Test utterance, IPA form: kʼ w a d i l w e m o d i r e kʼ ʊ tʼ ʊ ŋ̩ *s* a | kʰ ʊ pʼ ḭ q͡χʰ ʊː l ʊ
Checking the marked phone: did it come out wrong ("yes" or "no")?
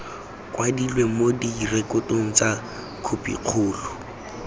yes